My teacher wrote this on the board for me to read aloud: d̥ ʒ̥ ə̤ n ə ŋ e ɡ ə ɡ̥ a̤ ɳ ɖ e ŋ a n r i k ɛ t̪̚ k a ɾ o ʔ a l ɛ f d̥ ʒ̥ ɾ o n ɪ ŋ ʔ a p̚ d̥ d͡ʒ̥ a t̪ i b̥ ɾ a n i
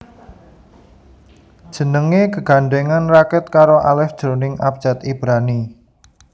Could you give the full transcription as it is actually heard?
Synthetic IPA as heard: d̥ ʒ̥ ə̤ n ə ŋ e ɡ ə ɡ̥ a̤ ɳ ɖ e ŋ a n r a k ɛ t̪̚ k a ɾ o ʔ a l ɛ f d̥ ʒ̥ ɾ o n ɪ ŋ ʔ a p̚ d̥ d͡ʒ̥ a t̪ i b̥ ɾ a n i